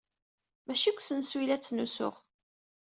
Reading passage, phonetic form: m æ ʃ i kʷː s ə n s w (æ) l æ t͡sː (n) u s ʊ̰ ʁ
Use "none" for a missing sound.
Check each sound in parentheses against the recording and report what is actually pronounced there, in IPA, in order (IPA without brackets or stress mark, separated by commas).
i, n